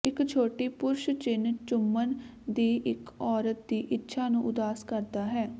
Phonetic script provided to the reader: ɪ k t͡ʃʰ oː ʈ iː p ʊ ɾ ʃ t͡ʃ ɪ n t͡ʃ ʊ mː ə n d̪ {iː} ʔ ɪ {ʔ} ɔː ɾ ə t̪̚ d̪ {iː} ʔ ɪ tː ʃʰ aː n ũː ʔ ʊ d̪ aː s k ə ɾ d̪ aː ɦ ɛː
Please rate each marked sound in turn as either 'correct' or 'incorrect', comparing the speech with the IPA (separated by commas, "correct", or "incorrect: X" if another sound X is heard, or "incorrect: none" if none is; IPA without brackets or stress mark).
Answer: correct, incorrect: k, correct